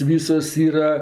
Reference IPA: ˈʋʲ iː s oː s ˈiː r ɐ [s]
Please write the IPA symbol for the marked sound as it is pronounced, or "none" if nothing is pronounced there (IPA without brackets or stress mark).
none